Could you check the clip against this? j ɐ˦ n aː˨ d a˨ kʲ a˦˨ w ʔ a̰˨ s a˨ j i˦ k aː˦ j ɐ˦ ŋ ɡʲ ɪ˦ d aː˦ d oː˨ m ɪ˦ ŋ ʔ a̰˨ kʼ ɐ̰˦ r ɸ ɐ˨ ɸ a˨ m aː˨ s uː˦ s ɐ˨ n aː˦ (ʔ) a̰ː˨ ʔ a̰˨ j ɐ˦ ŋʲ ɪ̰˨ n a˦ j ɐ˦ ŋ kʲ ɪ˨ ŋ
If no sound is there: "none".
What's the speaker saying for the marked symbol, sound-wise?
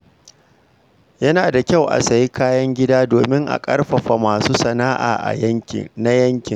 ʔ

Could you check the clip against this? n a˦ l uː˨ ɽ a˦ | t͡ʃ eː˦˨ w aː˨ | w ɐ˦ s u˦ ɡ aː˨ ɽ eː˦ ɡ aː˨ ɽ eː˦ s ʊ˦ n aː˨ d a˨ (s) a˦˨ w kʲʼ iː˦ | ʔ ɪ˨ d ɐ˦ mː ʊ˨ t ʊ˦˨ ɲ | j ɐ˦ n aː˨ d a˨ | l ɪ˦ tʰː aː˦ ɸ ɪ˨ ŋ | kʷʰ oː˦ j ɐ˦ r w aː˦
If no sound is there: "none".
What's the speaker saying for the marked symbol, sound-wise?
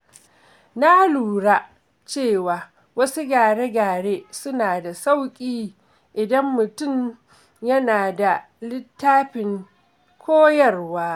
s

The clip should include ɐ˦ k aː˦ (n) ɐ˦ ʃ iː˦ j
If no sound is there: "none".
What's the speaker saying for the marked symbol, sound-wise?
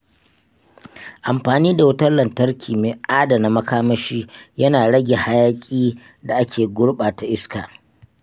m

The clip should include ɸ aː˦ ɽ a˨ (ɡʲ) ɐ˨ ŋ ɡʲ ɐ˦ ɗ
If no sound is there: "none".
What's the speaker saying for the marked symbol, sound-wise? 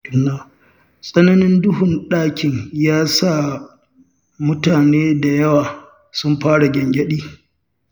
ɡʲ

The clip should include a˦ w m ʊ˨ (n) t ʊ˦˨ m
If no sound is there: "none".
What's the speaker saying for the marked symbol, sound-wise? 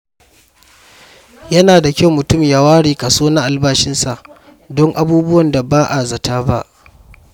none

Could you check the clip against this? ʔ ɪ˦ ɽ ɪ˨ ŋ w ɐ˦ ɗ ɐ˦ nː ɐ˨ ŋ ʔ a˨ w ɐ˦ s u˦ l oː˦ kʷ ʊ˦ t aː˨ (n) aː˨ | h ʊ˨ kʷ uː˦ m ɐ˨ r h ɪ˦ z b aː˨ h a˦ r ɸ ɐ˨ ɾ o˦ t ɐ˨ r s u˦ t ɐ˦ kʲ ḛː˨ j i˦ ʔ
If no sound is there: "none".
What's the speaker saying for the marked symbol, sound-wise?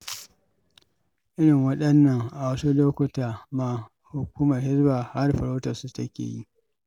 m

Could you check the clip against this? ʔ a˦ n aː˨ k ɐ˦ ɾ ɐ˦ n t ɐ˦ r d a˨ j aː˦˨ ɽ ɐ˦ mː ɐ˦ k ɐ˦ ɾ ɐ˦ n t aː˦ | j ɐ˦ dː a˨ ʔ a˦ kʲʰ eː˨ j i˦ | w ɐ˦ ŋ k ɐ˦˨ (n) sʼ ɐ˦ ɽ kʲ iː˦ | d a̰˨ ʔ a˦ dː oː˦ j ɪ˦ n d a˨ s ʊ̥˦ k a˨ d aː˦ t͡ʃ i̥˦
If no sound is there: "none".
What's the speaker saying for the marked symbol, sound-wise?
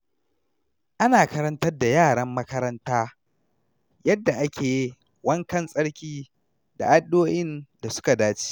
n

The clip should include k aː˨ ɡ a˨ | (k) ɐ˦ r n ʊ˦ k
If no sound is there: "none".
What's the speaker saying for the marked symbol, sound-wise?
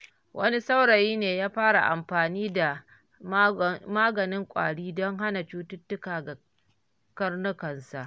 k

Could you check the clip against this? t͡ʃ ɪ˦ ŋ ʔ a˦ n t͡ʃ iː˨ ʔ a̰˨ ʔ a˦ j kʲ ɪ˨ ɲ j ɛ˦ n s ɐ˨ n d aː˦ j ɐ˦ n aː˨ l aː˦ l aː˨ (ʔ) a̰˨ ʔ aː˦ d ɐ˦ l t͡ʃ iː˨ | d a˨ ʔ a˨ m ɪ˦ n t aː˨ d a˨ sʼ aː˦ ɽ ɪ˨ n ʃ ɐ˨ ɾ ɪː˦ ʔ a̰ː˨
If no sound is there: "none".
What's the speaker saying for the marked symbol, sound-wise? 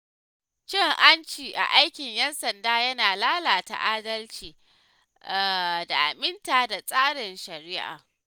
t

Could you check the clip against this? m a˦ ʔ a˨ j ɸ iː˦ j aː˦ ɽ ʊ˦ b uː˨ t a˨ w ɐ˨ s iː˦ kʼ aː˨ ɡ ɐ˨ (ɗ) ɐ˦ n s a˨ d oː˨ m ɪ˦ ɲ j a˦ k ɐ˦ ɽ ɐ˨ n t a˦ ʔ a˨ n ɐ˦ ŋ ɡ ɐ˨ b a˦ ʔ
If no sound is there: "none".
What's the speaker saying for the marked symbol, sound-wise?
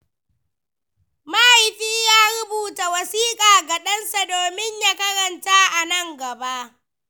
ɗ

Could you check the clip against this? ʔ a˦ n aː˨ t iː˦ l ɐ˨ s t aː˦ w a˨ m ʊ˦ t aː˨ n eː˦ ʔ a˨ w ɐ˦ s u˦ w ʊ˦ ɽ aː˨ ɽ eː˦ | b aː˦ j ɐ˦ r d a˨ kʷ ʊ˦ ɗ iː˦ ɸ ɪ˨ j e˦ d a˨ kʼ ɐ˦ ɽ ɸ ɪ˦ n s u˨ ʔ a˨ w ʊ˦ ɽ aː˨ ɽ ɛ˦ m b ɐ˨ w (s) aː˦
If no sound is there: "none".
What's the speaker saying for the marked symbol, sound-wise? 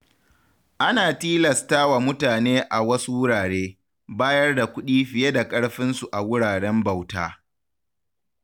t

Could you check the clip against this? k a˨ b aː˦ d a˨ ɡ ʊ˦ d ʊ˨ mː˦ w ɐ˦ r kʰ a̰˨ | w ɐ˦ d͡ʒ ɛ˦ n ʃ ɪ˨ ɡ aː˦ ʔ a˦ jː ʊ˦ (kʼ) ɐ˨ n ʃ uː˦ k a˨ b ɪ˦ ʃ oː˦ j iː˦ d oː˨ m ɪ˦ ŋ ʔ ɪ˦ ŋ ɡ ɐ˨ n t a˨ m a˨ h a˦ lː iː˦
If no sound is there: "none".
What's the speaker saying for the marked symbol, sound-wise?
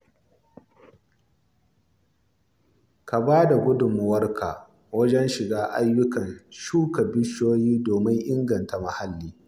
k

